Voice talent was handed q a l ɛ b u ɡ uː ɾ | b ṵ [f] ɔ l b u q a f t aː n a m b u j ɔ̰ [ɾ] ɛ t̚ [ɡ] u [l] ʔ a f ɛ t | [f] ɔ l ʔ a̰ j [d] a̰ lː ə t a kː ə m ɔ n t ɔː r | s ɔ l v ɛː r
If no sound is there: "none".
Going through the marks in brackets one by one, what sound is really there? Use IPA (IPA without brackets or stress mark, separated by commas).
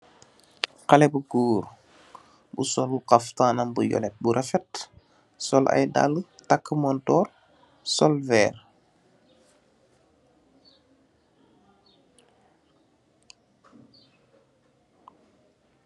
s, l, b, ɾ, s, d